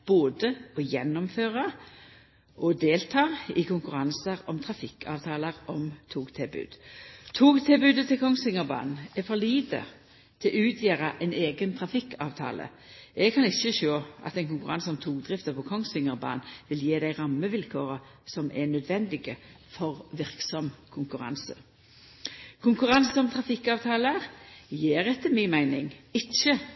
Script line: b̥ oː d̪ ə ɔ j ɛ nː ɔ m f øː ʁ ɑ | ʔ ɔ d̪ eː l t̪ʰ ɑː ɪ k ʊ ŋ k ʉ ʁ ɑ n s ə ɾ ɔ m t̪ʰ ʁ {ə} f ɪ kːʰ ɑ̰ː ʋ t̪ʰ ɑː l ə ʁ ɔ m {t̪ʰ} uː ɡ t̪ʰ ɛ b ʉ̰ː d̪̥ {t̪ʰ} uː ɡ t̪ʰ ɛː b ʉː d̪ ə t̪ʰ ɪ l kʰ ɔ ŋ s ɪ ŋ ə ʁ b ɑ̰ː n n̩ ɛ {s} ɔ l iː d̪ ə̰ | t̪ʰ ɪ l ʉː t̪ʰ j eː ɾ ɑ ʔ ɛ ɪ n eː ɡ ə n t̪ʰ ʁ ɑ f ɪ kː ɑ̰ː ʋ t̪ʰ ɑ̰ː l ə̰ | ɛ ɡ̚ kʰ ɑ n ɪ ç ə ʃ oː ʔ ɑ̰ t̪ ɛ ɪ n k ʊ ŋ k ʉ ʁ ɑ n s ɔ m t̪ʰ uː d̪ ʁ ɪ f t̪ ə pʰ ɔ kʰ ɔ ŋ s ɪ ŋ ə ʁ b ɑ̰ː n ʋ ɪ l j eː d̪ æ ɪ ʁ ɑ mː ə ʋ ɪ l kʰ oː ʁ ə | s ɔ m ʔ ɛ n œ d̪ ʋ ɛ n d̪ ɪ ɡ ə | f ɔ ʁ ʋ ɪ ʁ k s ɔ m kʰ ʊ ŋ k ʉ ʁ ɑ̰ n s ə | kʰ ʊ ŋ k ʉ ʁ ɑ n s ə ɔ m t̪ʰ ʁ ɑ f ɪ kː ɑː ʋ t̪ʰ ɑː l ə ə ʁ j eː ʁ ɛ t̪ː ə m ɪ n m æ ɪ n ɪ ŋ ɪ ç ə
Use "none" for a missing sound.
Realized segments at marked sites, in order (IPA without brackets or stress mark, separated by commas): ɑ, t̪ʰ, t̪ʰ, f